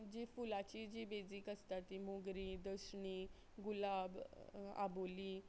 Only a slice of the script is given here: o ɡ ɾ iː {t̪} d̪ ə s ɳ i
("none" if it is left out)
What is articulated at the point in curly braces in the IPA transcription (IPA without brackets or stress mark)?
none